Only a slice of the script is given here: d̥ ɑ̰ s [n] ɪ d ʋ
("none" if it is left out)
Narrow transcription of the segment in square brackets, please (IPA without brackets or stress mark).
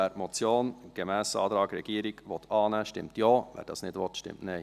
n